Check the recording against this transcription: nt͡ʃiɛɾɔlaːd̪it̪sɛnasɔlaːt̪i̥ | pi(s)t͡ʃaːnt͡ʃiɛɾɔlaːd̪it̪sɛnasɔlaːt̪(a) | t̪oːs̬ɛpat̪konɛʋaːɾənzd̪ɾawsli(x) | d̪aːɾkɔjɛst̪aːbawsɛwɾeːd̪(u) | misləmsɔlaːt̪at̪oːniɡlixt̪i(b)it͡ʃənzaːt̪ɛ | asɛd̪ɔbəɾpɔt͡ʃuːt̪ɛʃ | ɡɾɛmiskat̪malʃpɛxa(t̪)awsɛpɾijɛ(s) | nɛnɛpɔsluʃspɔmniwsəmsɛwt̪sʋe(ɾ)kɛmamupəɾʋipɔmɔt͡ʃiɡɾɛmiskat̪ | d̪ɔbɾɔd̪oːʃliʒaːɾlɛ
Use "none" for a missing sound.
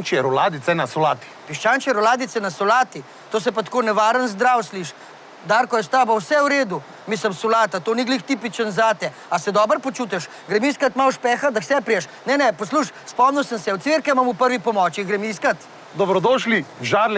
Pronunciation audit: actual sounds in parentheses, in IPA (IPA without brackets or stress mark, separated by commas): ʃ, i, ʃ, u, p, d̪, ʃ, ɾ